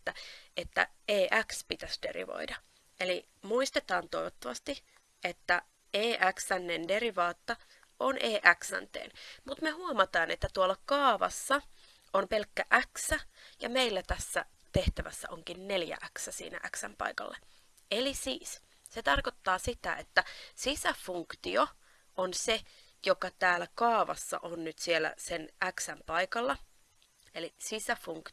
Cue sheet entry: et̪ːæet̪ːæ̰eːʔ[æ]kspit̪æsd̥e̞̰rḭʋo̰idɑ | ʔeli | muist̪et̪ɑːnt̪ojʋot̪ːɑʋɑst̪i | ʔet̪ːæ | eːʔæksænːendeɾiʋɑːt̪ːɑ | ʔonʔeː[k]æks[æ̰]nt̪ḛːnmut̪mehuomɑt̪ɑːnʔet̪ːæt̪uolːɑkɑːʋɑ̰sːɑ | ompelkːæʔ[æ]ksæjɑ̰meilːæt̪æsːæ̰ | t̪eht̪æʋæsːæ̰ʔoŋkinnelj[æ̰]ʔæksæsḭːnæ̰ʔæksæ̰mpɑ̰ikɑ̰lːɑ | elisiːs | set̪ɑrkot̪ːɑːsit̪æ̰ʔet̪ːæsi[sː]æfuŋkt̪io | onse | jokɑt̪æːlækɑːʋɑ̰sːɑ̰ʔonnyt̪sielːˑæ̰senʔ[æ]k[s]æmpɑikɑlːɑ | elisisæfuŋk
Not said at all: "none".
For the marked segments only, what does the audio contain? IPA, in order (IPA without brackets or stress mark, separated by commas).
æ, ʔ, æ̰, æ, æ̰, s, æ, s